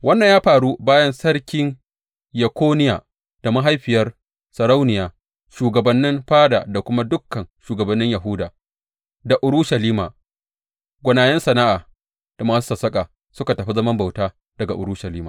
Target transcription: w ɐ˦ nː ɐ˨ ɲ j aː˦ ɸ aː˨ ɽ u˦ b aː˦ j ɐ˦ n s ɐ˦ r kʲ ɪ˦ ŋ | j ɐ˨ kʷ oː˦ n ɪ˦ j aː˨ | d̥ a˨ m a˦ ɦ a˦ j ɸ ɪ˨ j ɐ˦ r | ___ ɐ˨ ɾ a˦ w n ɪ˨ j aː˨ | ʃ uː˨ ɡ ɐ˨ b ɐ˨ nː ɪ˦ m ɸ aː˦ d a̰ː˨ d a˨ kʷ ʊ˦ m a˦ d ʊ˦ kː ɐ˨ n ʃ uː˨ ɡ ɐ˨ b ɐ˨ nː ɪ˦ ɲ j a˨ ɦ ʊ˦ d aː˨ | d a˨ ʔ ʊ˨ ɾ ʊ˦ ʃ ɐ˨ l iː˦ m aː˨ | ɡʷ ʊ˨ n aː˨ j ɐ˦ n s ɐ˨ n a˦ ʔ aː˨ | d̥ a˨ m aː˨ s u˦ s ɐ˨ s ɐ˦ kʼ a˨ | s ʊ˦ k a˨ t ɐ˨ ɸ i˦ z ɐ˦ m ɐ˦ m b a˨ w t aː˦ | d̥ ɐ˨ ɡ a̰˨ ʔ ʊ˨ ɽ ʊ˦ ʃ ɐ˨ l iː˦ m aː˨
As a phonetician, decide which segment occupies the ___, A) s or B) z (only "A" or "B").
A